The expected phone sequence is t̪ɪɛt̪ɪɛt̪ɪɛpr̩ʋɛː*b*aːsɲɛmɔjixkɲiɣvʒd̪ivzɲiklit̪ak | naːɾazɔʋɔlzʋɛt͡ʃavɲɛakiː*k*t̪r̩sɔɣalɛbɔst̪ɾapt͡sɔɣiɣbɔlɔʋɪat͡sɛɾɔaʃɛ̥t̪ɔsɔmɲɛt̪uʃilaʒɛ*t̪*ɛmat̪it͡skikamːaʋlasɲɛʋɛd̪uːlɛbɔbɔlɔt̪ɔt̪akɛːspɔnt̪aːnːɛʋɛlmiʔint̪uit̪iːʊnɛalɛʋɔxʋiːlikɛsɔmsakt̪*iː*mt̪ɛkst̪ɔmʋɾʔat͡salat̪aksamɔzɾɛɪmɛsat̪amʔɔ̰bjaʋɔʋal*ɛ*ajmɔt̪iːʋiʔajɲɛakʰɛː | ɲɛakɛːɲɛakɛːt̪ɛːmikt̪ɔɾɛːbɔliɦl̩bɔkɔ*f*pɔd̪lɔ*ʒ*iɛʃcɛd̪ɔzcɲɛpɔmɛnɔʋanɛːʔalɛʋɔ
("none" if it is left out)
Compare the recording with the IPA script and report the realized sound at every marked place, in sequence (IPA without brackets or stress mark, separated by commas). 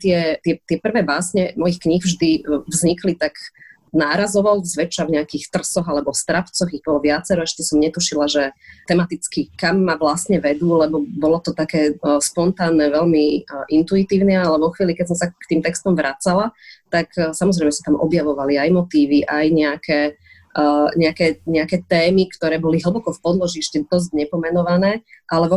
b, x, t̪, iː, i, f, ʒ